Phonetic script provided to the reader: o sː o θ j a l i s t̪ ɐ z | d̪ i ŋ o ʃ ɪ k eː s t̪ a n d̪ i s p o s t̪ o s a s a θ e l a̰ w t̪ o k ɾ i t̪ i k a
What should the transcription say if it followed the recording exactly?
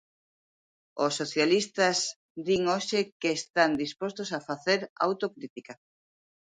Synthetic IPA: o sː o θ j a l i s t̪ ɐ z | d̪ i ŋ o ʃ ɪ k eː s t̪ a n d̪ i s p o s t̪ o s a f a θ e ɾ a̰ w t̪ o k ɾ i t̪ i k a